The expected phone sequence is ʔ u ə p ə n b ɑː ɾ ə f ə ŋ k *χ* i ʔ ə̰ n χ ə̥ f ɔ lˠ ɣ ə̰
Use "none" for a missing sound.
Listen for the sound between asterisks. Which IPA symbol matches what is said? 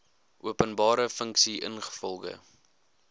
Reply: s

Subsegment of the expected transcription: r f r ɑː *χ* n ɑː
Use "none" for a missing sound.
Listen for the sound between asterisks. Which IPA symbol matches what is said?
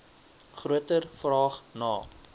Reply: χ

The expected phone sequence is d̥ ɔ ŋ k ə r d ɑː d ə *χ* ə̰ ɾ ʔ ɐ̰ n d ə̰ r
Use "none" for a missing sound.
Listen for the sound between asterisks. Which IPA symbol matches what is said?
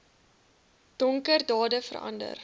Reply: f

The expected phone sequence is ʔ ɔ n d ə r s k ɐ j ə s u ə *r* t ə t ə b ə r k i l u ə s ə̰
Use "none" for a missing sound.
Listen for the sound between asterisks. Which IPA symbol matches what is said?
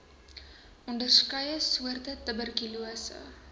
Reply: r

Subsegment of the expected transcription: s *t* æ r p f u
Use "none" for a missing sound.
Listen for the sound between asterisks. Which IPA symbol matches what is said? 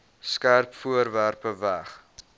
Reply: k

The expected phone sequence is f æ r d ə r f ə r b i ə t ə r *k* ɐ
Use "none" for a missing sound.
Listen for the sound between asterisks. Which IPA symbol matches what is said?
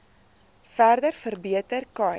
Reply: k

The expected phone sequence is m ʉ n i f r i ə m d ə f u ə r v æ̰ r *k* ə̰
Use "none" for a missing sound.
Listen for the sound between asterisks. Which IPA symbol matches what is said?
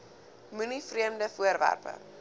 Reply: p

